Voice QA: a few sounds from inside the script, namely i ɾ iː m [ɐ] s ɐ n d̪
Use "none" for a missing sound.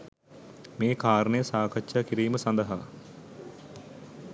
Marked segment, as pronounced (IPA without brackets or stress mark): ə